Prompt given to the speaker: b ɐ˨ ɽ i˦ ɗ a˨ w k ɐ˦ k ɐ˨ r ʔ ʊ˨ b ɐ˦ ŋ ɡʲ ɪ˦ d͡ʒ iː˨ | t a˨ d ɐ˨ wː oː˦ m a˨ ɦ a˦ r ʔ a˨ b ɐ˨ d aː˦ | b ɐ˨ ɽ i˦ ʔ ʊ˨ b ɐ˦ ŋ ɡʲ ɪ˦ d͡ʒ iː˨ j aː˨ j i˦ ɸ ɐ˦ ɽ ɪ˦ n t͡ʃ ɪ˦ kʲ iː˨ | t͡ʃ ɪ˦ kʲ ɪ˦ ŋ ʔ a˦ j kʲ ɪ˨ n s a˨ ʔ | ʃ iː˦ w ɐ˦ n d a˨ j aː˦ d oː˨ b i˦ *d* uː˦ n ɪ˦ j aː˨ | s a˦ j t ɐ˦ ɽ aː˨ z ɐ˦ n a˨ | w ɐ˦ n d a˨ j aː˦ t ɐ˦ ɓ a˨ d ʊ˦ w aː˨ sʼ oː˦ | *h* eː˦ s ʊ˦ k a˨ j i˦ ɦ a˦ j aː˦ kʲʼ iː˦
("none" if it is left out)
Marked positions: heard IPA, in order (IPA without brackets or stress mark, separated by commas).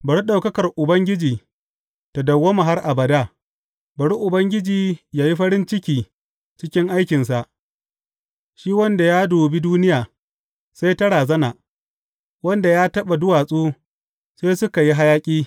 d, s